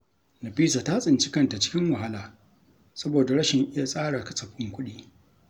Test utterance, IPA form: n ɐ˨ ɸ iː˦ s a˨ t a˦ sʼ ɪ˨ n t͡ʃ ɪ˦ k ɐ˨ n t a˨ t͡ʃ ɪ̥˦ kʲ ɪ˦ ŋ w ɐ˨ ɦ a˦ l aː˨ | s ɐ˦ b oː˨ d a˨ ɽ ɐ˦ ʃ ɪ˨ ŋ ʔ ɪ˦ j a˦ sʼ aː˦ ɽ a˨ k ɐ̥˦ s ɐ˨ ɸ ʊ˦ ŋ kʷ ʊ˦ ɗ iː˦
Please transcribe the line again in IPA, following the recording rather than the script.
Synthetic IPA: n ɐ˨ ɸ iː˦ s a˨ t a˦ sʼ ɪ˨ n t͡ʃ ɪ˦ k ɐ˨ n t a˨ t͡ʃ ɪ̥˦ kʲ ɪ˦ ŋ w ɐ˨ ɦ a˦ l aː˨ | s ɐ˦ b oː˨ d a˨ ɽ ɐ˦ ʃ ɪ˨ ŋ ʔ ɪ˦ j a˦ sʼ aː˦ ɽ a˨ k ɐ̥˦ s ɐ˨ ɸ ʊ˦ ŋ kʷ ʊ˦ ɗ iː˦